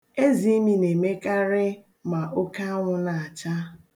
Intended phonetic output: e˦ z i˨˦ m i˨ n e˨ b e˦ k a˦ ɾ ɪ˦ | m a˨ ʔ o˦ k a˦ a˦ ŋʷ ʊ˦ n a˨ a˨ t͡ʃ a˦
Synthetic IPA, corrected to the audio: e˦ z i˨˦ m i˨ n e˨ m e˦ k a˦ ɾ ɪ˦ | m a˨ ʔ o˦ k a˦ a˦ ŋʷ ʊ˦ n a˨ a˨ t͡ʃ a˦